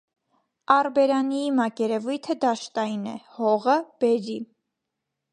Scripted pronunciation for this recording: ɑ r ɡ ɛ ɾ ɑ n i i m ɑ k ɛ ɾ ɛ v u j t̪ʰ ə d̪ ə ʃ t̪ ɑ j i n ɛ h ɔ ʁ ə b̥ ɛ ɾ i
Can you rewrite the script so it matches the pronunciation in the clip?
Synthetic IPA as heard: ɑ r b ɛ ɾ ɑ n i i m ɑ k ɛ ɾ ɛ v u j t̪ʰ ə d̪ ɑ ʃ t̪ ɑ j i n ɛ h ɔ ʁ ə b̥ ɛ ɾ i

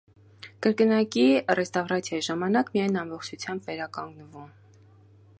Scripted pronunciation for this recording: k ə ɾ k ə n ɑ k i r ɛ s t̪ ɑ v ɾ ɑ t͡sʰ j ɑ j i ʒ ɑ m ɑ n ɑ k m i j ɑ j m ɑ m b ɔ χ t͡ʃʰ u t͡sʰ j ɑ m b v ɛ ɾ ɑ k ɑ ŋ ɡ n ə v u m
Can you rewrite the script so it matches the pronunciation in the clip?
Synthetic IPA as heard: k ə ɾ k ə n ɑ k i r ɛ s t̪ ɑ v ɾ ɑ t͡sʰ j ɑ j i ʒ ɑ m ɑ n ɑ k m i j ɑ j n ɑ m b ɔ χ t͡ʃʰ u t͡sʰ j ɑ m b v ɛ ɾ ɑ k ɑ ŋ ɡ n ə v u m

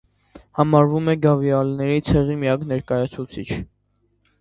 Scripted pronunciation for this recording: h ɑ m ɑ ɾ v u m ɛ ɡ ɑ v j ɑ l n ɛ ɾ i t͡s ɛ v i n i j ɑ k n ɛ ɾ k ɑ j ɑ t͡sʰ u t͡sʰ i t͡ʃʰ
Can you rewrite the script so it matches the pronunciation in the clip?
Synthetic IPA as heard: h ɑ m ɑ ɾ v u m ɛ ɡ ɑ v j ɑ l n ɛ ɾ i t͡sʰ ɛ ʁ i m i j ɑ k n ɛ ɾ k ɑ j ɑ t͡sʰ u t͡sʰ i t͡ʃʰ

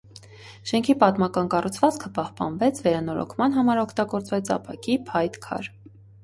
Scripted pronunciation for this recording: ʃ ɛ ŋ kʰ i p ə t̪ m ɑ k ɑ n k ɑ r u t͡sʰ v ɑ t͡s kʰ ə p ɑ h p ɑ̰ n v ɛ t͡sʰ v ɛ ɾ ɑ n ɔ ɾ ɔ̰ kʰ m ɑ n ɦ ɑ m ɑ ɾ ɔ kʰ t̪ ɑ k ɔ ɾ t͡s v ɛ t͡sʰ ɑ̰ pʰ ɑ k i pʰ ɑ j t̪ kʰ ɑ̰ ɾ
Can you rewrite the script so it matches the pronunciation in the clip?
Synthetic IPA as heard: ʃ ɛ ŋ kʰ i p ɑ t̪ m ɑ k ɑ n k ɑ r u t͡sʰ v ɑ t͡s kʰ ə p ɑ h p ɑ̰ n v ɛ t͡sʰ v ɛ ɾ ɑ n ɔ ɾ ɔ̰ kʰ m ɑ n ɦ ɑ m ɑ ɾ ɔ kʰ t̪ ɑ ɡ ɔ ɾ t͡s v ɛ t͡sʰ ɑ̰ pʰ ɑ k i pʰ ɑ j t̪ kʰ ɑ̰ ɾ

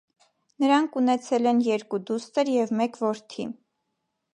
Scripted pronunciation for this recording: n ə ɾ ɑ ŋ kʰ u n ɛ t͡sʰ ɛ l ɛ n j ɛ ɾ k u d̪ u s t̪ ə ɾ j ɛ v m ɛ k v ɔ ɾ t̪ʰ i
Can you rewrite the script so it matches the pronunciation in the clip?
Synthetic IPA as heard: n ə ɾ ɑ ŋ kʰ u n ɛ t͡sʰ ɛ l ɛ n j ɛ ɾ k u d̪ u s t̪ ə ɾ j ɛ v m ɛ k v ɔ ɾ t̪ʰ i

